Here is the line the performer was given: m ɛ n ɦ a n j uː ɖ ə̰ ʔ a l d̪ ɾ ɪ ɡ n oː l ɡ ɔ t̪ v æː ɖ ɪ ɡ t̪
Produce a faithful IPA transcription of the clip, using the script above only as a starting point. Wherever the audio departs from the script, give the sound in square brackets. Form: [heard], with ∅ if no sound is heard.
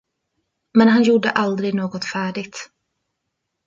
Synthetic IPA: m ɛ n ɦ a n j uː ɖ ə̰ ʔ a l d̪ ɾ ɪ ɡ n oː [∅] ɡ ɔ t̪ [f] æː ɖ ɪ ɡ t̪